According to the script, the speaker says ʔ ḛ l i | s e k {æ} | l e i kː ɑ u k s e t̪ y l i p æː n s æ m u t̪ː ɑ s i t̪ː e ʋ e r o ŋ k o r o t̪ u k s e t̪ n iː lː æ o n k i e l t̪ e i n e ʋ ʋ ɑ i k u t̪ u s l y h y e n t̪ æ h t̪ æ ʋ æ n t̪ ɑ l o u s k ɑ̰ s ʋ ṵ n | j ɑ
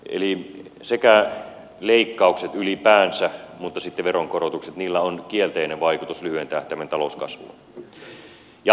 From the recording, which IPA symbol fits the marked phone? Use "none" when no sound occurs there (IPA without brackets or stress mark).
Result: æ